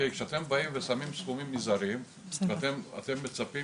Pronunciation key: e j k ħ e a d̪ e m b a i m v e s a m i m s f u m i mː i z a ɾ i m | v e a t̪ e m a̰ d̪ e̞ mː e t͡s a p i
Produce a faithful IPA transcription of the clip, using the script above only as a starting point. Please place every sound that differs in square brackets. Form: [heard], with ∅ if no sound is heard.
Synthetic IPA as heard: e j k [ʃ] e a [t̪] e m b a i m v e s a m i m s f u m i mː i z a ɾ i m | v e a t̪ e m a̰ [t̪] e̞ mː e t͡s a p i